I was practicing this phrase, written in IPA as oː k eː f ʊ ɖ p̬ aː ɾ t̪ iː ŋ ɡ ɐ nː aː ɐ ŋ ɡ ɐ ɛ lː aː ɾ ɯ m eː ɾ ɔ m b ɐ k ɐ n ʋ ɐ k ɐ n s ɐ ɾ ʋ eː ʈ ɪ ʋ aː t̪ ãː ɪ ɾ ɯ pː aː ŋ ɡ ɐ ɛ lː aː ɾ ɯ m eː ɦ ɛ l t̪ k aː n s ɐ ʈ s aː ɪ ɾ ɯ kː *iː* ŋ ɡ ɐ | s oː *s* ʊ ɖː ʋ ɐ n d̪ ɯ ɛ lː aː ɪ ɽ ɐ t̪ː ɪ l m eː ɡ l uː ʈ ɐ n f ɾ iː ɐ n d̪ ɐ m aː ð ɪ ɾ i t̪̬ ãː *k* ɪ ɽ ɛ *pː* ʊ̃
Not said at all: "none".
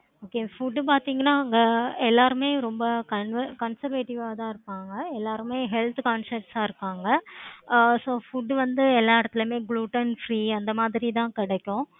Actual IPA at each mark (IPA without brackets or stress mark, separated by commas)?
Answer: aː, f, k, kː